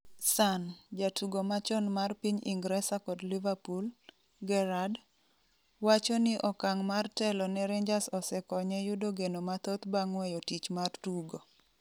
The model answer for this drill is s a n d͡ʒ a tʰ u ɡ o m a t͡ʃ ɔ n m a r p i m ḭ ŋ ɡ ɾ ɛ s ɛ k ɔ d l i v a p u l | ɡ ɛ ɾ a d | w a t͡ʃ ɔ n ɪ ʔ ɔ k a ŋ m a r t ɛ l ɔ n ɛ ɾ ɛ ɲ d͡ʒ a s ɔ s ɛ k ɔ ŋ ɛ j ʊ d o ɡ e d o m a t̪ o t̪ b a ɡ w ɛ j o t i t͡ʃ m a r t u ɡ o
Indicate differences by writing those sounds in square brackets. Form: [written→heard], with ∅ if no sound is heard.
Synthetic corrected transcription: s a n d͡ʒ a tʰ u ɡ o m a t͡ʃ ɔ n m a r p i [m→ɲ] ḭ ŋ ɡ ɾ ɛ s [ɛ→a] k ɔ d l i v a p u l | ɡ ɛ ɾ a d | w a t͡ʃ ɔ n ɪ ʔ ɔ k a ŋ m a r t ɛ l ɔ n ɛ ɾ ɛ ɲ d͡ʒ a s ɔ s ɛ k ɔ [ŋ→ɲ] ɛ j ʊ d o ɡ e [d→n] o m a t̪ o t̪ b a [ɡ→ŋ] w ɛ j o t i t͡ʃ m a r t u ɡ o